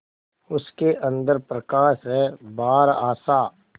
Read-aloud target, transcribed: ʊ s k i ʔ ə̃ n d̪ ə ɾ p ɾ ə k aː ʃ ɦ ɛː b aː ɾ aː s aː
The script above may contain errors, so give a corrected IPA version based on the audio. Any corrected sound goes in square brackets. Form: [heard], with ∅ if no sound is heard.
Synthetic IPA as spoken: ʊ s k [e] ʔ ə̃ n d̪ ə ɾ p ɾ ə k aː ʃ ɦ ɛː b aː ɾ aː s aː